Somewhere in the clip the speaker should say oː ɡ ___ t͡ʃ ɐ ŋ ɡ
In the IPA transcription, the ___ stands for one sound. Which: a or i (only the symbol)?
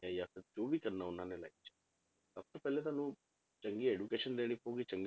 i